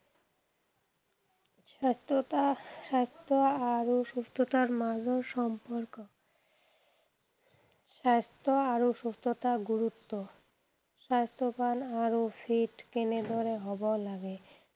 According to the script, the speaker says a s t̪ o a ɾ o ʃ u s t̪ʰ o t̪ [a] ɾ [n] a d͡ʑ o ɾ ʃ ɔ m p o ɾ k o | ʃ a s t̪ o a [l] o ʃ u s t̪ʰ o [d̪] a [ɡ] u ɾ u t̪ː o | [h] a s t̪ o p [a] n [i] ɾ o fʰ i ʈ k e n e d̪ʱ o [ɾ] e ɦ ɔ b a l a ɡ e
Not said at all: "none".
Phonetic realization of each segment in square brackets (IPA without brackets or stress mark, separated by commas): a, m, ɾ, t̪, ɡ, ʃ, a, a, ɾ